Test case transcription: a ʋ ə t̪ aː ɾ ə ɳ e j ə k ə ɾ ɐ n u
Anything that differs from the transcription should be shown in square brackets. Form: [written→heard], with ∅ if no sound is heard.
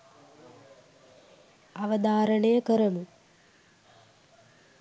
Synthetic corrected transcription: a ʋ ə [t̪→d̪] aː ɾ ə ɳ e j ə k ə ɾ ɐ [n→m] u